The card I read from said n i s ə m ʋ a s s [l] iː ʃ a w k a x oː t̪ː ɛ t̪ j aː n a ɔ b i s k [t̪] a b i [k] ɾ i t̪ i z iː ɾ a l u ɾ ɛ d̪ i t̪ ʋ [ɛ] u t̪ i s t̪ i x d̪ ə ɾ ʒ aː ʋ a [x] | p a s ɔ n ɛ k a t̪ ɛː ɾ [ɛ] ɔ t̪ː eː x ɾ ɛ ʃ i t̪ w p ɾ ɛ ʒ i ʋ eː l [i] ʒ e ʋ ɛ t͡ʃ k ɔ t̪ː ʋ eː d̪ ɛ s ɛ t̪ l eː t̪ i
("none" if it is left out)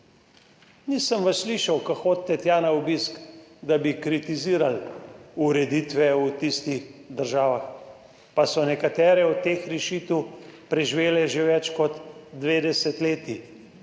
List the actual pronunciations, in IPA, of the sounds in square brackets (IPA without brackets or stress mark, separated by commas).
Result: l, d̪, k, ɛ, x, ɛ, ɛ